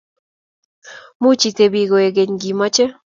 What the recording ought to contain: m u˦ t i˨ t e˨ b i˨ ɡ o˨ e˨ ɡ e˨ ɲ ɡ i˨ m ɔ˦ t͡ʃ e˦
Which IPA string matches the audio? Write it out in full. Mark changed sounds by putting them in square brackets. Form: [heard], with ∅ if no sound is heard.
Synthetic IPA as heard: m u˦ [t͡ʃ] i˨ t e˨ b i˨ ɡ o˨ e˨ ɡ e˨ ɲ ɡ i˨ m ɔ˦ t͡ʃ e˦

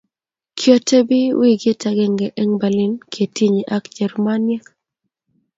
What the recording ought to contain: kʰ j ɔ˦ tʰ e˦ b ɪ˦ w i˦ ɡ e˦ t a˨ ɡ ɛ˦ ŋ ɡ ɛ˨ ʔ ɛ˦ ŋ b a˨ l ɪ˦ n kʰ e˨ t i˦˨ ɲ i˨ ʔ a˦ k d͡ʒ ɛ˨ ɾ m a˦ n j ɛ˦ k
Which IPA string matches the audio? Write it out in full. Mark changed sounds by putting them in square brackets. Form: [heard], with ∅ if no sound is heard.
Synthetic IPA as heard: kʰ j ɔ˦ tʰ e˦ b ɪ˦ w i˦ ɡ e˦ t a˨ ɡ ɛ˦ ŋ ɡ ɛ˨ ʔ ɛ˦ ŋ b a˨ l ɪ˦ n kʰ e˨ t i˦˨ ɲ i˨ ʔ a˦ k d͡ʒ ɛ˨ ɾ m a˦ n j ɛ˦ k

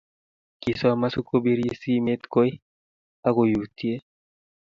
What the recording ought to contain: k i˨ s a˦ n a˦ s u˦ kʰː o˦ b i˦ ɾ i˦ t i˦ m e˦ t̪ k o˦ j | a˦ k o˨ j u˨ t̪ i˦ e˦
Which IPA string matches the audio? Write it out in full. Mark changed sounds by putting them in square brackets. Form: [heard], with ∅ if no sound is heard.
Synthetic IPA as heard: k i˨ s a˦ [m] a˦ s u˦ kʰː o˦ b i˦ ɾ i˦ [s] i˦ m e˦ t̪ k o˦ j | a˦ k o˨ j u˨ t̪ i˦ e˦

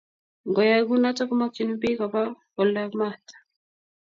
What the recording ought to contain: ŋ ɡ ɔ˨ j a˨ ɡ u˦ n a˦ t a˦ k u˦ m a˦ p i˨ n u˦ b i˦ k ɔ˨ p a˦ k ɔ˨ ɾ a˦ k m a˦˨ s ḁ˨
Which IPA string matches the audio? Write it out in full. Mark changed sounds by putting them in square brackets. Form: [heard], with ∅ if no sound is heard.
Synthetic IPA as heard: ŋ ɡ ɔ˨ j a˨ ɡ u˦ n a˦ t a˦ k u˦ m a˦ [k] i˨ n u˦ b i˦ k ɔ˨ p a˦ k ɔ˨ [l] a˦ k m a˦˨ [t] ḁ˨

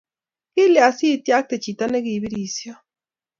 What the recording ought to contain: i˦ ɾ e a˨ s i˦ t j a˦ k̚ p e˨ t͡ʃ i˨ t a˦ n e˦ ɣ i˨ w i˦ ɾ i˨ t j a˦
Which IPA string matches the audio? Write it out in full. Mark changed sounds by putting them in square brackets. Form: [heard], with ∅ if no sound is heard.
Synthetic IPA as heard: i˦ [l] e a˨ s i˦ t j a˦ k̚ [t] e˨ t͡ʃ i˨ t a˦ n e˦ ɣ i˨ [β] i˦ ɾ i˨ [s] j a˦

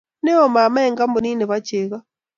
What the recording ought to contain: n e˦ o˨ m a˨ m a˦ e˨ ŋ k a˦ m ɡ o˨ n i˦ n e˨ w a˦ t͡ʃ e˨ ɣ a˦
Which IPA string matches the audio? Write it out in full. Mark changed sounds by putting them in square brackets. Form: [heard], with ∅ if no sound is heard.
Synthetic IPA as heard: n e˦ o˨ m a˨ m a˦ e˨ ŋ [ɡ] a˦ m [b] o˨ n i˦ n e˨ [β] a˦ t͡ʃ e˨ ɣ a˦

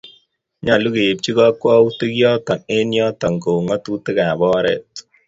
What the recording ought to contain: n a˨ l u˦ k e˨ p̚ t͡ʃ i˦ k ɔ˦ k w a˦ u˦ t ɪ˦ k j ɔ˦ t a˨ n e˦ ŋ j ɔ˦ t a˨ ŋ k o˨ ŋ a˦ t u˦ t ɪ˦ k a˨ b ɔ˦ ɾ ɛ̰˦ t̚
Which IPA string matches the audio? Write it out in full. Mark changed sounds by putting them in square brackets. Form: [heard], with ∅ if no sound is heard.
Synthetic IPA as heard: [ɲ] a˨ l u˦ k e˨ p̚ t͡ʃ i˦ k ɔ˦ k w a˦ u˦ t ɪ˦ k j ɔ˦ t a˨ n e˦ [n] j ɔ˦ t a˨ ŋ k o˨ ŋ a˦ t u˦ t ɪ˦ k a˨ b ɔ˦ ɾ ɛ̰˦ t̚

